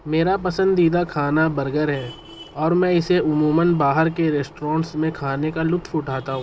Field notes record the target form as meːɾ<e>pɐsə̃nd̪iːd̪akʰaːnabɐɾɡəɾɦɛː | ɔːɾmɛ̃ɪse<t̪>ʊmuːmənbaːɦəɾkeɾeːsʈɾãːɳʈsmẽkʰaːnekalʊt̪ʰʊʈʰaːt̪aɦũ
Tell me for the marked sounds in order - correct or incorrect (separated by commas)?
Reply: incorrect, incorrect